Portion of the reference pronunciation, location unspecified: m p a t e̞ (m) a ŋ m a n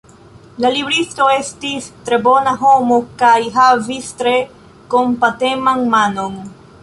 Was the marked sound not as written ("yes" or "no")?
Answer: no